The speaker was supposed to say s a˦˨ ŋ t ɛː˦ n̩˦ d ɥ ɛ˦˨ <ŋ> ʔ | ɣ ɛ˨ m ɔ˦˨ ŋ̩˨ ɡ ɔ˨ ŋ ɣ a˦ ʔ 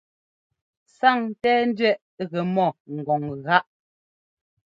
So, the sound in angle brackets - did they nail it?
no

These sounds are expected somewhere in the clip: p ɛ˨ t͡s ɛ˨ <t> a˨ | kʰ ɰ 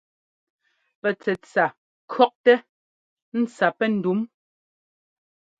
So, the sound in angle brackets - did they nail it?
no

